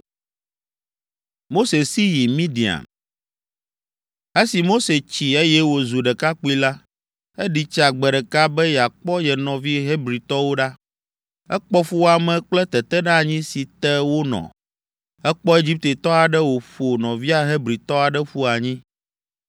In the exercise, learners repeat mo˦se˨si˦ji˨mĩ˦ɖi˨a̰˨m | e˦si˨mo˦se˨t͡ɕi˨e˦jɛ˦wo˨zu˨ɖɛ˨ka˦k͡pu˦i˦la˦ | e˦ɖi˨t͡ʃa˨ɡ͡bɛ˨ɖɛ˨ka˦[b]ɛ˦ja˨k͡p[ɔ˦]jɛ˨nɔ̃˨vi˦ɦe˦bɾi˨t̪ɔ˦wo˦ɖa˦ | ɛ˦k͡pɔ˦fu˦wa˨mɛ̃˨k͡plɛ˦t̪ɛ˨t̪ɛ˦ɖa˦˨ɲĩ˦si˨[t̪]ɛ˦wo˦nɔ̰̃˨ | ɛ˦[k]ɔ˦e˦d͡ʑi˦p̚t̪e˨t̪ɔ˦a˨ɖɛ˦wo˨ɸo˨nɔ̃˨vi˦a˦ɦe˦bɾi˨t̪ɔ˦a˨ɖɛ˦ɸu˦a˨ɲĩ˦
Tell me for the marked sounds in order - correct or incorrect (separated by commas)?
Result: correct, correct, correct, incorrect